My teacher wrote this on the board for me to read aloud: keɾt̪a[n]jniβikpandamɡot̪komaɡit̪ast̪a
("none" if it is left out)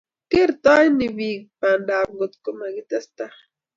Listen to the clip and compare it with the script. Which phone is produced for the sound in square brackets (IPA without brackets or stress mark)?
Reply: none